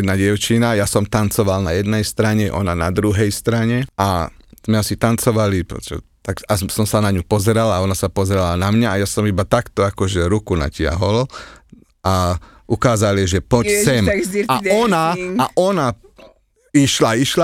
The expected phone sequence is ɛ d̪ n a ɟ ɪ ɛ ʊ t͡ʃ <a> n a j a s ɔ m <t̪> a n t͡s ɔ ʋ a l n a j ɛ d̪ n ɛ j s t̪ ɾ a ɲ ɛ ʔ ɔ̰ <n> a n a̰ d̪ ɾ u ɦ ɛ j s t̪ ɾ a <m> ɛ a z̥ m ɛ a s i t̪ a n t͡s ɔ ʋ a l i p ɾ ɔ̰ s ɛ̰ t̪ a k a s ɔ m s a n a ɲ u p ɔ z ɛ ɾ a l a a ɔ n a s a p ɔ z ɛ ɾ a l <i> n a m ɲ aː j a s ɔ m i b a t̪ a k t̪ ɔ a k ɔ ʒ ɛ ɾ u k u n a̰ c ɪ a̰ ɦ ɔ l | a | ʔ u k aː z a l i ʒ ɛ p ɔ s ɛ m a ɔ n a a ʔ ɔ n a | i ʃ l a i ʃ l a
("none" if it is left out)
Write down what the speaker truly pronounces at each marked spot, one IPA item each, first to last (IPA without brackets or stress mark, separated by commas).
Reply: i, t̪, n, ɲ, a